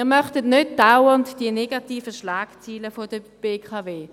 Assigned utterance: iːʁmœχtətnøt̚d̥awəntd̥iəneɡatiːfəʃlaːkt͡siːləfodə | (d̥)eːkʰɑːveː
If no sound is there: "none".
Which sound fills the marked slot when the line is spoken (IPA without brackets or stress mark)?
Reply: b̥